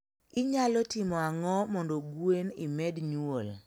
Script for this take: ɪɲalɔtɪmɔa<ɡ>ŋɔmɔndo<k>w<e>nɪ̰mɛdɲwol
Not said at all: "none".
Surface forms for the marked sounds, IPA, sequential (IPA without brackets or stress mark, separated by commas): none, ɡ, e